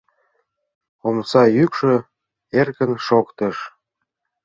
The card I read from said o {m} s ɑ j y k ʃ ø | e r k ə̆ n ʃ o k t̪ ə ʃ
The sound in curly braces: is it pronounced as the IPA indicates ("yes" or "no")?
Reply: yes